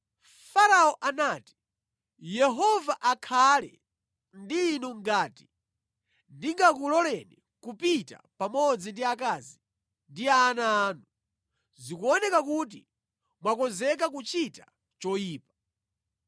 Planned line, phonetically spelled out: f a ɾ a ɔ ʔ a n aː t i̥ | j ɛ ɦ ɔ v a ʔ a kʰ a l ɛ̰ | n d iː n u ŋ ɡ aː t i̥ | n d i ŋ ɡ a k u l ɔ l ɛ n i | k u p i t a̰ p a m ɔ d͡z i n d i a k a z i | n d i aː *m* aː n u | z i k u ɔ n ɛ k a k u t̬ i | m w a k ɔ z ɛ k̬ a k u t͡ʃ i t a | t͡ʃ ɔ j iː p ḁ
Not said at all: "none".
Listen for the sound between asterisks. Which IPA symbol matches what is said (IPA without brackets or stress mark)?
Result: n